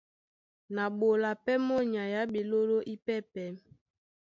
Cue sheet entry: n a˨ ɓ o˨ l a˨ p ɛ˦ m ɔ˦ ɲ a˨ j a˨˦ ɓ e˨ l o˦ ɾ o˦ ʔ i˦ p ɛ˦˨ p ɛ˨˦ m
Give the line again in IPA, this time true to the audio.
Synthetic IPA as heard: n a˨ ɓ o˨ l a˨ p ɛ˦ m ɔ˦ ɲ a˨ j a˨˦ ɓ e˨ l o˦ ɾ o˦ ʔ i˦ p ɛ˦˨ p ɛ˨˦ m